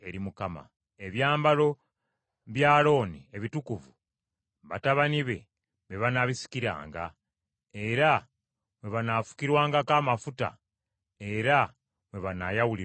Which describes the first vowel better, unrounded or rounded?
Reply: unrounded